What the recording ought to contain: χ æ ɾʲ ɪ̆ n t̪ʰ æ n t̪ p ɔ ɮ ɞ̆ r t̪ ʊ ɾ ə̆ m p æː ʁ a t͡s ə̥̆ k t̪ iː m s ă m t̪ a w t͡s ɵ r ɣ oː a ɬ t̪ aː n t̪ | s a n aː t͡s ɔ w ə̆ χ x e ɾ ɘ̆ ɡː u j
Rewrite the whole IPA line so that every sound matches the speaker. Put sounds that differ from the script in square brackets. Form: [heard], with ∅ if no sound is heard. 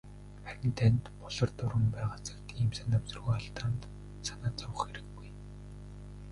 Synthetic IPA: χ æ ɾʲ ɪ̆ n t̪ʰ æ n t̪ p ɔ ɮ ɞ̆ r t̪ ʊ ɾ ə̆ m p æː ʁ a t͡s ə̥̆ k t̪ iː m s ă [n] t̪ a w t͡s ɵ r ɣ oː a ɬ t̪ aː n t̪ | s a n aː t͡s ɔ w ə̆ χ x e ɾ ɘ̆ ɡː u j